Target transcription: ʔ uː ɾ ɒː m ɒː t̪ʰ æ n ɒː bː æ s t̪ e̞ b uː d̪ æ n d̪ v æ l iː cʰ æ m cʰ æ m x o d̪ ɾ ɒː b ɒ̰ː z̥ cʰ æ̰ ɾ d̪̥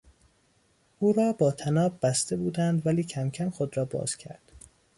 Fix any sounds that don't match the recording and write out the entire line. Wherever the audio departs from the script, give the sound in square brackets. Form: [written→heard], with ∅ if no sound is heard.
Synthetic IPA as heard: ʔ uː ɾ ɒː [m→b] ɒː t̪ʰ æ n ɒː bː æ s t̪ e̞ b uː d̪ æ n d̪ v æ l iː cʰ æ m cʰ æ m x o d̪ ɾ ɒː b ɒ̰ː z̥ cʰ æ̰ ɾ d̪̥